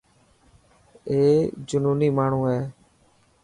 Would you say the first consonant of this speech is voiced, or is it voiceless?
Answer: voiced